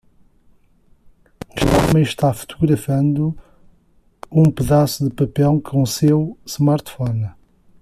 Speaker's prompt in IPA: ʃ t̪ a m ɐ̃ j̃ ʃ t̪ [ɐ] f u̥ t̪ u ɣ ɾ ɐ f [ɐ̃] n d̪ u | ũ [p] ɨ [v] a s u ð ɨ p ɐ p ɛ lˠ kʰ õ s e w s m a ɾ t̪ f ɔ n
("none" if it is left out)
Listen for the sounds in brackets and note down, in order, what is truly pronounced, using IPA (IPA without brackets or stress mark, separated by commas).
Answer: a, ɐ̃, p, ð